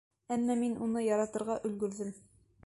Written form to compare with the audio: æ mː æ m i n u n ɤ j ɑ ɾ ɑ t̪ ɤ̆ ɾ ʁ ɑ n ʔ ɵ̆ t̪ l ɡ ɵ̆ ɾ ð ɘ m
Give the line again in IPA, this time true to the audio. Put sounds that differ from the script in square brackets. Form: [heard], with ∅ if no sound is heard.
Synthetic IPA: æ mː æ m i n u n ɤ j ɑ ɾ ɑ t̪ ɤ̆ ɾ ʁ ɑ [∅] ʔ ɵ̆ [∅] l ɡ ɵ̆ ɾ ð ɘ m